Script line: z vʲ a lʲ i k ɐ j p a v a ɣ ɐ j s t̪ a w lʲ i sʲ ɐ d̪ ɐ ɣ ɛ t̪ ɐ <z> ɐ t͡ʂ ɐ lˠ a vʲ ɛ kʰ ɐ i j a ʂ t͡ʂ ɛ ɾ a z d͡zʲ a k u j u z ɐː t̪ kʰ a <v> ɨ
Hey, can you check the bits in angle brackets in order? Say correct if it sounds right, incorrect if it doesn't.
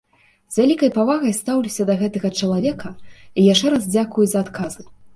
incorrect, incorrect

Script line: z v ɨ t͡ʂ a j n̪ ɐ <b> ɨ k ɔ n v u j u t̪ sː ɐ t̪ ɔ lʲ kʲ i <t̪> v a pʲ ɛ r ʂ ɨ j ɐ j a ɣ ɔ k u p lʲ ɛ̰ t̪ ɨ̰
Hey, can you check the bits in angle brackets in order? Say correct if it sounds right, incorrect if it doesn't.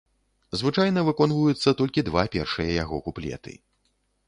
incorrect, incorrect

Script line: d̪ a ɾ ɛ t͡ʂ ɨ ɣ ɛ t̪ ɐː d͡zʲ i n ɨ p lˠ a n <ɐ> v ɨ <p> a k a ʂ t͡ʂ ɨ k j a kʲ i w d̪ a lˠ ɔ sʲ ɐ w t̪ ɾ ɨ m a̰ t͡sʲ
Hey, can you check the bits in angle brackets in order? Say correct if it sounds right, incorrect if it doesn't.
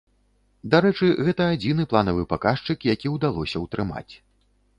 correct, correct

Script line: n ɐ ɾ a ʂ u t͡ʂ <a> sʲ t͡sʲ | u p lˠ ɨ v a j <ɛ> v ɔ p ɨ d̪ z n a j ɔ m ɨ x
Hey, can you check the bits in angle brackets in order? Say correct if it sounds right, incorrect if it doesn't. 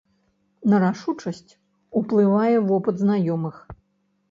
incorrect, correct

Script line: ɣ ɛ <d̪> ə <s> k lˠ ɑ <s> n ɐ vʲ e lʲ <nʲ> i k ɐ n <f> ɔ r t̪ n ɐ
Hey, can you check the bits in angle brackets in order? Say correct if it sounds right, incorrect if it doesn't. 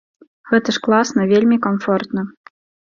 incorrect, incorrect, correct, incorrect, correct

